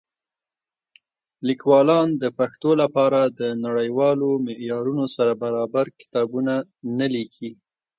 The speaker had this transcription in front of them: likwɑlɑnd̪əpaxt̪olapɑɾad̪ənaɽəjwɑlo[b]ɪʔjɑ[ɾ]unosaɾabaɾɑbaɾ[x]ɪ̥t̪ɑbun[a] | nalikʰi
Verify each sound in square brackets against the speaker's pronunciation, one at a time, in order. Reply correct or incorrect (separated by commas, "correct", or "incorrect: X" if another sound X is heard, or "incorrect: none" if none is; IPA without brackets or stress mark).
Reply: incorrect: m, correct, incorrect: k, correct